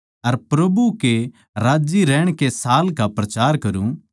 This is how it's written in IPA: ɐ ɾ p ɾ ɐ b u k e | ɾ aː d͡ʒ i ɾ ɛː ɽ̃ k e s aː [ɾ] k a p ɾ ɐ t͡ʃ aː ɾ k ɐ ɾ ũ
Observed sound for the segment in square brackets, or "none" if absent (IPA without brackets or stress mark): l